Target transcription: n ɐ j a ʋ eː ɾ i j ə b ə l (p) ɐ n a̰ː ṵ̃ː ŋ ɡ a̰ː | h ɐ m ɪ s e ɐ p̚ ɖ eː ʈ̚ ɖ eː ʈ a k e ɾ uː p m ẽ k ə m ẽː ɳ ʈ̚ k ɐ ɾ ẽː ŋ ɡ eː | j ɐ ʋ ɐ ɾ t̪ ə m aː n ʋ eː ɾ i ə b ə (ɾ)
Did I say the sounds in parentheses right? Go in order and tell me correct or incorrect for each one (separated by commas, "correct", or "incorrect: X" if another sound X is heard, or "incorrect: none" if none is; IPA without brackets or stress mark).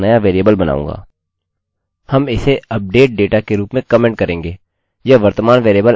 incorrect: b, incorrect: l